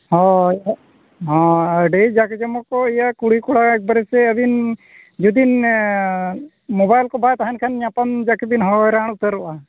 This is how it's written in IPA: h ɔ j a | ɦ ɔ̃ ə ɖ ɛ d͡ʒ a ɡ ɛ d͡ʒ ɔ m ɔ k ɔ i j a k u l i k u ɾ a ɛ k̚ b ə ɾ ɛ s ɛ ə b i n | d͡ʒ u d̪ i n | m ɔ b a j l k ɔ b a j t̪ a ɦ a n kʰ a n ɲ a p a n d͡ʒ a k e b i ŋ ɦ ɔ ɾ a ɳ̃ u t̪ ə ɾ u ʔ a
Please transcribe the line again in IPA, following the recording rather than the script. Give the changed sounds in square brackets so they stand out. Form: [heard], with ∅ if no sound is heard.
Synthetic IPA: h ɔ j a | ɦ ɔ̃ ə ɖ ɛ d͡ʒ a [k] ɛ d͡ʒ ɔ m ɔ k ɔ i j a k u [ɽ] i k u [ɽ] a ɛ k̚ b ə ɾ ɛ s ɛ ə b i n | d͡ʒ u d̪ i n | m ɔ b a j l k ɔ b a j t̪ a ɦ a n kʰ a n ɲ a p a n d͡ʒ a k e b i [n] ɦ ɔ ɾ a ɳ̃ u t̪ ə ɾ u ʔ a